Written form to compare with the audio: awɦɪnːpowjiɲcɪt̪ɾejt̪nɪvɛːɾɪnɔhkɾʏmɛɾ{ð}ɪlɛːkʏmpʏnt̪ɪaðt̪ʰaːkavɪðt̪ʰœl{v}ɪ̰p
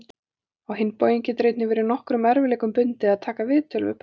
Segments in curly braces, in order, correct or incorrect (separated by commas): incorrect, correct